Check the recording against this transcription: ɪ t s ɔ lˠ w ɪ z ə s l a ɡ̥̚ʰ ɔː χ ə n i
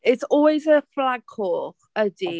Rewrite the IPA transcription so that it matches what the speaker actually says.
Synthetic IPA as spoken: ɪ t s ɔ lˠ w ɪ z ə f l a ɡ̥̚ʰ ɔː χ ə d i